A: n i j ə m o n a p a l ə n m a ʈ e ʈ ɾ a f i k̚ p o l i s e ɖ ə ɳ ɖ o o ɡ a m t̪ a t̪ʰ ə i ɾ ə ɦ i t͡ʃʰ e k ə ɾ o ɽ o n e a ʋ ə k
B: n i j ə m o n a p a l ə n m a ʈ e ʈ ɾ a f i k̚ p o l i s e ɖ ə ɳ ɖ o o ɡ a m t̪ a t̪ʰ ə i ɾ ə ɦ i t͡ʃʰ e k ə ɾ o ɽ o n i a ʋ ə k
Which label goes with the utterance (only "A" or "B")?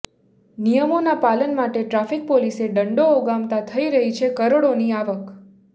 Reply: B